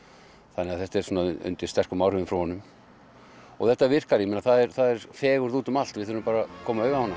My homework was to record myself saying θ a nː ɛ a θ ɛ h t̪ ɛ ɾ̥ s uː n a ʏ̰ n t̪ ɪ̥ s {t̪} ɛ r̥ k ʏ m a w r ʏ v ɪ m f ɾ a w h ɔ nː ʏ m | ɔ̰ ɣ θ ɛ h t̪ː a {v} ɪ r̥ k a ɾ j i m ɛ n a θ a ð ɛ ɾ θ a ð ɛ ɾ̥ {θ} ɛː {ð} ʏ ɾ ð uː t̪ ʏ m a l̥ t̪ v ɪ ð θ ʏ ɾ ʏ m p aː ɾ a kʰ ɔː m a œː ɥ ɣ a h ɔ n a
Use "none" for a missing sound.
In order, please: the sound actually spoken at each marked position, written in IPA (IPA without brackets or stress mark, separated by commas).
t̪, v, f, ɣ